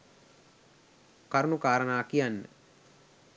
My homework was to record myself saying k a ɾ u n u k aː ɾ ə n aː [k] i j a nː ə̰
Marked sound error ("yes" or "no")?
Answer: no